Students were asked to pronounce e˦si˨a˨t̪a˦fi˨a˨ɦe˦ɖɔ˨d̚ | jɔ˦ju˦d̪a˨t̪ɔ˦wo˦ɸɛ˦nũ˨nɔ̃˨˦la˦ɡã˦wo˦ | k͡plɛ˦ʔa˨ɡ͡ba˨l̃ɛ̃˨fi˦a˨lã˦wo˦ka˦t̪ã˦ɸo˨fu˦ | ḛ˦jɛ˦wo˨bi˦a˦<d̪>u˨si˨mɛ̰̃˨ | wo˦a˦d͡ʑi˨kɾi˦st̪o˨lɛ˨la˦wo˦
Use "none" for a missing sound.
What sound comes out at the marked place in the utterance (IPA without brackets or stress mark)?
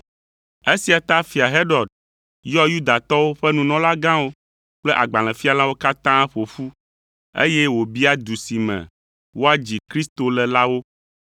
d̪